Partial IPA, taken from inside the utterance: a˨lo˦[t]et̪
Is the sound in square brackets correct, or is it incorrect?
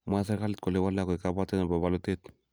correct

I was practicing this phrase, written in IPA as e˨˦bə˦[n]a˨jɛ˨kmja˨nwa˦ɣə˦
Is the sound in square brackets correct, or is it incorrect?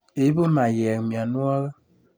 incorrect: m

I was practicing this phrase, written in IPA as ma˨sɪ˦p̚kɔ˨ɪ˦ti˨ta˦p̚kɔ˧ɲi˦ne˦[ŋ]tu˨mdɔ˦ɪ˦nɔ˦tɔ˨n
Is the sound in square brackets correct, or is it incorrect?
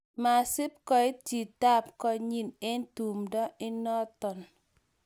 incorrect: n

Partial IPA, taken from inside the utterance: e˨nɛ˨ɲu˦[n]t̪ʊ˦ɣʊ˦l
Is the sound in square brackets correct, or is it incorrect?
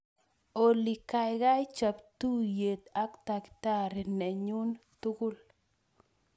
correct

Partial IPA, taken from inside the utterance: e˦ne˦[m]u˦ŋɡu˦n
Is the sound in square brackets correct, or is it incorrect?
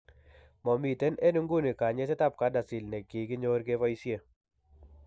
incorrect: n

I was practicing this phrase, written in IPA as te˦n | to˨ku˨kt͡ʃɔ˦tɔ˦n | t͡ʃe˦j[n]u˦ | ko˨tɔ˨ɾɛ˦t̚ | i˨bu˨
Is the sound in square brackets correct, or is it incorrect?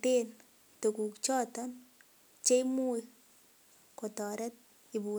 incorrect: m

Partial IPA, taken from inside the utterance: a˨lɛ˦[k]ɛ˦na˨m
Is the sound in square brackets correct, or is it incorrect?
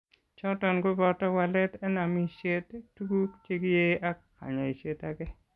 incorrect: t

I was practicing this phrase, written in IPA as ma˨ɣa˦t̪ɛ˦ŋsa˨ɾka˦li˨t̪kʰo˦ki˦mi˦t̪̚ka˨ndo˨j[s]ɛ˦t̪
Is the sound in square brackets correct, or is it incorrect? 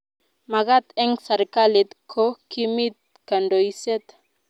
correct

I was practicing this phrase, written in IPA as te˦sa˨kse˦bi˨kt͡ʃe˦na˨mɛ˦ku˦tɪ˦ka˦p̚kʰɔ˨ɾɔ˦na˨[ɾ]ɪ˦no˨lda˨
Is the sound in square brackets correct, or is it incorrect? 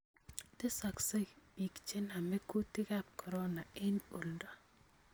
incorrect: none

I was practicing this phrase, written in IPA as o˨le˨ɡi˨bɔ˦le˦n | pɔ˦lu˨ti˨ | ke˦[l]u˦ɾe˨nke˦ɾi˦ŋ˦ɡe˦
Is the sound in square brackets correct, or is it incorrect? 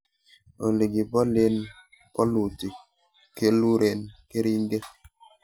correct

